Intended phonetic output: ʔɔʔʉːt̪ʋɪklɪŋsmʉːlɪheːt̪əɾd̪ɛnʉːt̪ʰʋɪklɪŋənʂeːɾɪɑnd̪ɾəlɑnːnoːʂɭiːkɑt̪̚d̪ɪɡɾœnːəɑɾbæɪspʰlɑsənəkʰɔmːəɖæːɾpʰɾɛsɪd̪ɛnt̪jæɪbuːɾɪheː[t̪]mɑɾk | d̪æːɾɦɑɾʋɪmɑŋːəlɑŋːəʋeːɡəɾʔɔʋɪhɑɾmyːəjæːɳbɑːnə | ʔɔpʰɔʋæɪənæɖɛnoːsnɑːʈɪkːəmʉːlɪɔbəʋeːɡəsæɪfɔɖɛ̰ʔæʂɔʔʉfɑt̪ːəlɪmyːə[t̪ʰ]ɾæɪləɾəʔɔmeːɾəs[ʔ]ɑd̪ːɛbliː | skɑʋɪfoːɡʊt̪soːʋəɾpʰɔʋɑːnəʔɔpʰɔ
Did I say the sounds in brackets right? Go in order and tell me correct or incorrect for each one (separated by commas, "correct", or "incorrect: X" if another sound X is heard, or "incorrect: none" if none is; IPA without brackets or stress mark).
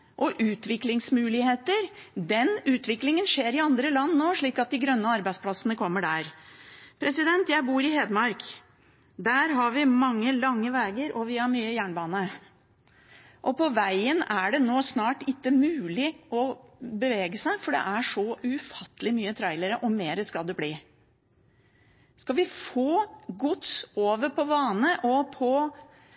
incorrect: d̪, correct, incorrect: k